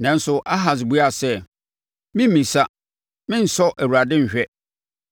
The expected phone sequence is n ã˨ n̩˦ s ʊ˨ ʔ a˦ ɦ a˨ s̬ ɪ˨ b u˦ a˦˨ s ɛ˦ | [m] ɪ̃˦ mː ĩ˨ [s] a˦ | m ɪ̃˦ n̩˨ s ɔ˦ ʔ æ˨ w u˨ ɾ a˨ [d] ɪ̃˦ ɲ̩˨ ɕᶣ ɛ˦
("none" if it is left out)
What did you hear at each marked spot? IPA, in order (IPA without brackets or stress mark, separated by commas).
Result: m, s, d